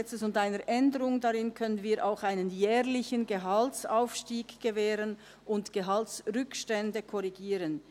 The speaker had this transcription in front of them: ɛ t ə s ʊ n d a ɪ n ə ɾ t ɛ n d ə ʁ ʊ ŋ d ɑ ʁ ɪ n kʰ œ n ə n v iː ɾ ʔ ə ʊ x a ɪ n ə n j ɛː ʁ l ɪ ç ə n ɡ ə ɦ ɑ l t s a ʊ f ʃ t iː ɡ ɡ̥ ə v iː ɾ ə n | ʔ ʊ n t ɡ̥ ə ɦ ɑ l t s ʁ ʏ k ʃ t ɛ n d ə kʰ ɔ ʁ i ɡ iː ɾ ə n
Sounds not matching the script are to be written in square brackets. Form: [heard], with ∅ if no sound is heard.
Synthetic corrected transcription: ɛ [t͡s] ə s ʊ n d a ɪ n ə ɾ [ʔ] ɛ n d ə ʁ ʊ ŋ d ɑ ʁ ɪ n kʰ œ n ə n v iː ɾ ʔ [a] ʊ x a ɪ n ə n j ɛː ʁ l ɪ ç ə n ɡ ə ɦ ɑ l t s a ʊ f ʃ t iː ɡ ɡ̥ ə v [ɛː] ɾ ə n | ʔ ʊ n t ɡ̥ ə ɦ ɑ l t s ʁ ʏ k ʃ t ɛ n d ə kʰ ɔ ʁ i ɡ iː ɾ ə n

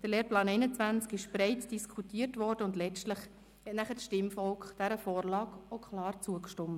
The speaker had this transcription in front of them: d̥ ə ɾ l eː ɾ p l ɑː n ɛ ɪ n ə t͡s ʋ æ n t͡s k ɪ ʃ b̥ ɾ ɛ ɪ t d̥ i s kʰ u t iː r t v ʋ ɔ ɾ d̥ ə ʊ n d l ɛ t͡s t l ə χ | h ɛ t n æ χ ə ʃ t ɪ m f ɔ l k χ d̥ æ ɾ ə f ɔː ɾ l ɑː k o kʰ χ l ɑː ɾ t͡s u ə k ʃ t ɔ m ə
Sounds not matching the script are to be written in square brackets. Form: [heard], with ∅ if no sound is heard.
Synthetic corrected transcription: d̥ ə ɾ l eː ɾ p l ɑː n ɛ ɪ n ə t͡s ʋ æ n t͡s k ɪ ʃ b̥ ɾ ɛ ɪ t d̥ i s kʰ u t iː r t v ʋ ɔ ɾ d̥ ə ʊ n d l ɛ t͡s t l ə χ | h ɛ t n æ χ ə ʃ t ɪ m f ɔ l k χ d̥ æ ɾ ə f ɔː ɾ l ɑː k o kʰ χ l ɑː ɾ t͡s u ə k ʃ t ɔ m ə

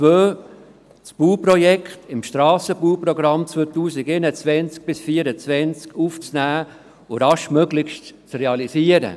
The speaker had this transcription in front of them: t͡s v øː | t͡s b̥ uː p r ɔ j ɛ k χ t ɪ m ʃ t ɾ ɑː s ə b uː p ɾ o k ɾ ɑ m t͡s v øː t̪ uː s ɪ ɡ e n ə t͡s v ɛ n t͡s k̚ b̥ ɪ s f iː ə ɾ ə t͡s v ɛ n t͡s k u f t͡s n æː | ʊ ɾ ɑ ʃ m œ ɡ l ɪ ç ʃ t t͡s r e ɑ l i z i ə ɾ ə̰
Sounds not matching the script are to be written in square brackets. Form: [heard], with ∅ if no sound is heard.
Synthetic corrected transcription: t͡s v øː | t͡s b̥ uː p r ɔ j ɛ k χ t ɪ m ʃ t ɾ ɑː s ə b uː p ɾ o [ɡ] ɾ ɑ m t͡s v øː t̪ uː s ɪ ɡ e n ə t͡s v ɛ n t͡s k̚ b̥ ɪ s f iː ə ɾ ə t͡s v ɛ n t͡s k u f t͡s n æː | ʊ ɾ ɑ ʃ m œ ɡ l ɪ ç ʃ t t͡s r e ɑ l i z i ə ɾ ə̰

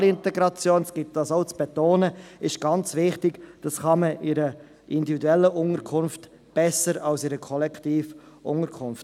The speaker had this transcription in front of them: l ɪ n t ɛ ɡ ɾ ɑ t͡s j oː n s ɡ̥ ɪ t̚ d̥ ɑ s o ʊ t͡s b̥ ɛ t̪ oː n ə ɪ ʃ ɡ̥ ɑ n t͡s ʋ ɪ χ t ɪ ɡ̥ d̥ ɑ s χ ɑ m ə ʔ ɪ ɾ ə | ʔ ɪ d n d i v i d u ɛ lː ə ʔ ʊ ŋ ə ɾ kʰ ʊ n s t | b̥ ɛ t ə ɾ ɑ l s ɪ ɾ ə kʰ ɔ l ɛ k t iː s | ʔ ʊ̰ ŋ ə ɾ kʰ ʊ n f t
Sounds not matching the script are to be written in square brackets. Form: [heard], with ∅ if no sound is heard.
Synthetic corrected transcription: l ɪ n t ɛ ɡ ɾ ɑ t͡s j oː n s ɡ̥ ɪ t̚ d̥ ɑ s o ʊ t͡s b̥ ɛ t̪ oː n ə ɪ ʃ ɡ̥ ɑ n t͡s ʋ ɪ χ t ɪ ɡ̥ d̥ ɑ s χ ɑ m ə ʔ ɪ ɾ ə | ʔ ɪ [∅] n d i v i d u ɛ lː ə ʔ ʊ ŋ ə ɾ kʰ ʊ n [f] t | b̥ ɛ [s] ə ɾ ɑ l s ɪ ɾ ə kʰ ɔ l ɛ k t iː [f] | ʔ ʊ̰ ŋ ə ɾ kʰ ʊ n f t

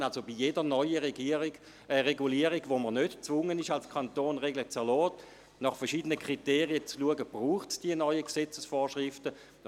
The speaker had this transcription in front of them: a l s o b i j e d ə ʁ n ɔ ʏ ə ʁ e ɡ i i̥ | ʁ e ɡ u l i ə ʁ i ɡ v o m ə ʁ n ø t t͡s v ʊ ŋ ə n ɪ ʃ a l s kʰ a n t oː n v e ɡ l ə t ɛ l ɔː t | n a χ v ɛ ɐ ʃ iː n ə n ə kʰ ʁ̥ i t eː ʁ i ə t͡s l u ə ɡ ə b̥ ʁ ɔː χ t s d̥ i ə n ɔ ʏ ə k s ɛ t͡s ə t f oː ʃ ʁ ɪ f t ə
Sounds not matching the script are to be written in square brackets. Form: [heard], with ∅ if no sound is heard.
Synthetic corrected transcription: a l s o b i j e d ə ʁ n ɔ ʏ ə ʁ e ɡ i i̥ | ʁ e ɡ u l i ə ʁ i ɡ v o m ə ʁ n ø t t͡s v ʊ ŋ ə n ɪ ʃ a l s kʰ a n t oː n [ʁ] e ɡ l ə [t͡s] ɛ l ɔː t | n [ɑ] χ [f] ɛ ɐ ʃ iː [d] ə n ə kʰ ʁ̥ i t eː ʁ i ə t͡s l u ə ɡ ə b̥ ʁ [uː] χ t s d̥ i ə n ɔ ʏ ə k s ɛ t͡s ə [s] f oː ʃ ʁ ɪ f t ə

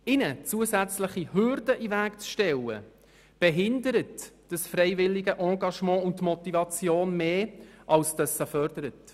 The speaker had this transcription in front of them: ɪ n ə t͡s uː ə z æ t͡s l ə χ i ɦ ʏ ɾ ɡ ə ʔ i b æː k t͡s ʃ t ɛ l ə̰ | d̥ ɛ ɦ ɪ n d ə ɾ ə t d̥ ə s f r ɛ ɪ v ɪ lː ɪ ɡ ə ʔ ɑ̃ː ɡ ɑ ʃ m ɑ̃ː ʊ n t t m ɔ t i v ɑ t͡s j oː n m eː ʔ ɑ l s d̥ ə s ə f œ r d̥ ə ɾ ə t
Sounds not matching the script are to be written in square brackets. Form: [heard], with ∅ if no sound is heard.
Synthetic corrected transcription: ɪ n ə t͡s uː ə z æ t͡s l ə χ i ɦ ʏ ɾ [d] ə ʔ i [v] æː k t͡s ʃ t ɛ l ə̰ | [b̥] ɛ ɦ ɪ n d ə ɾ ə t d̥ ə s f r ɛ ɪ v ɪ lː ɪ ɡ ə ʔ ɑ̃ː ɡ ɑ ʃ m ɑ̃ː ʊ n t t m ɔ t i v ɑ t͡s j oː n m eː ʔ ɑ l s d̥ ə s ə f œ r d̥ ə ɾ ə t

